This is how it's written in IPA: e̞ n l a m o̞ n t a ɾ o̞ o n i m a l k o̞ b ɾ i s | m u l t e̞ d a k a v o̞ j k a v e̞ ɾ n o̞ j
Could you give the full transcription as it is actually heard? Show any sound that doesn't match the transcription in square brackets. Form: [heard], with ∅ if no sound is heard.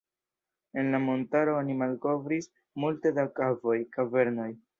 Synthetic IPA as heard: e̞ n l a m o̞ n t a ɾ o̞ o n i m a l k o̞ [v] ɾ i s | m u l t e̞ d a k a v o̞ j k a v e̞ ɾ n o̞ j